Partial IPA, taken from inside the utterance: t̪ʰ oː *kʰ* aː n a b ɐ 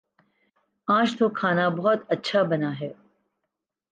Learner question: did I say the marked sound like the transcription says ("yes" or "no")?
yes